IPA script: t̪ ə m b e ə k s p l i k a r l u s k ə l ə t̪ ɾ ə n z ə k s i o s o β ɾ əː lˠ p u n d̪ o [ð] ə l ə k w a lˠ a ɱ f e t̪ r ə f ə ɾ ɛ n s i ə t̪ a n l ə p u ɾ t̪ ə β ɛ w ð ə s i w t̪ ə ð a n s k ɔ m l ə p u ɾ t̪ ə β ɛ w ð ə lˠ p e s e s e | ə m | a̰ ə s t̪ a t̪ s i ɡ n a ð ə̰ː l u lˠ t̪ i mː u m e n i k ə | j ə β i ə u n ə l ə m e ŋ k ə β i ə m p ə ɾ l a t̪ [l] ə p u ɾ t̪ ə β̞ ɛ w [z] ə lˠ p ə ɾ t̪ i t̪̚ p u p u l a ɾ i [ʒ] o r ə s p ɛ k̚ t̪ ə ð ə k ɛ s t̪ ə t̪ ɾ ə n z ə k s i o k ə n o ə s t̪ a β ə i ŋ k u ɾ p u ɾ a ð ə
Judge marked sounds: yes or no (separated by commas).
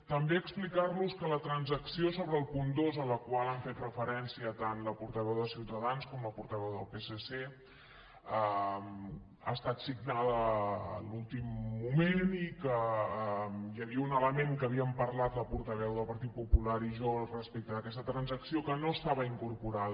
no, yes, no, yes